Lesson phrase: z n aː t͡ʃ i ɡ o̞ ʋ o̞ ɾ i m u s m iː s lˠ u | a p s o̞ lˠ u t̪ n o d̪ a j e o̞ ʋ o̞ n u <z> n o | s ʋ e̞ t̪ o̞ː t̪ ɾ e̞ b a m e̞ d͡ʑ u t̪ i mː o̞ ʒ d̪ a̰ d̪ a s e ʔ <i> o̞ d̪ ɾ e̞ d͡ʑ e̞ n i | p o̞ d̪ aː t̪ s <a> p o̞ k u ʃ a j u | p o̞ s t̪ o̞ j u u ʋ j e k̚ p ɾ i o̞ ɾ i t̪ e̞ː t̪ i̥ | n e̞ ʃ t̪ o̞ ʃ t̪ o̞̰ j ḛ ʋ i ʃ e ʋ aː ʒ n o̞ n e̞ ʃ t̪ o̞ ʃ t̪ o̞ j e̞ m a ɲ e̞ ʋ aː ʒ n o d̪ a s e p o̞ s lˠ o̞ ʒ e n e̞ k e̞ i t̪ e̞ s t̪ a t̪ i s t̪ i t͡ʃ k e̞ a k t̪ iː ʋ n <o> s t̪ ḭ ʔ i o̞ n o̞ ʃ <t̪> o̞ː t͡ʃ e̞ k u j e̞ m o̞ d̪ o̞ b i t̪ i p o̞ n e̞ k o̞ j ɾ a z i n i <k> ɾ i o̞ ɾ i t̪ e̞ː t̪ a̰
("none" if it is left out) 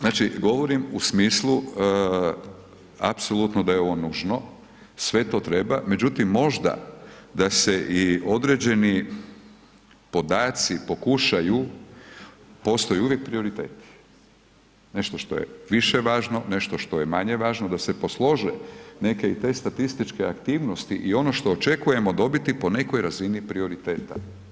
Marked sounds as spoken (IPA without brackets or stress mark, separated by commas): ʒ, i, i, o, t̪, p